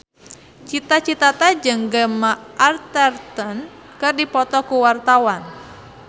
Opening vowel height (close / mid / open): close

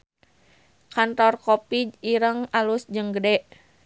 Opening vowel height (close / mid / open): open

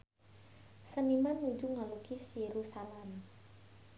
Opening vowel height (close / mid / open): mid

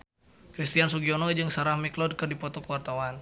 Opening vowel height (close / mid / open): close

